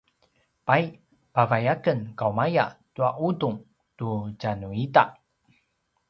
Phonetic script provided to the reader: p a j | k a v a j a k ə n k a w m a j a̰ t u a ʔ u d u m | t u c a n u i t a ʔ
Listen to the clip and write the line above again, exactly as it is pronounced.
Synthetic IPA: p a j | p a v a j a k ə n k a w m a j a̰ t u a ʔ u d u ŋ | t u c a n u i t a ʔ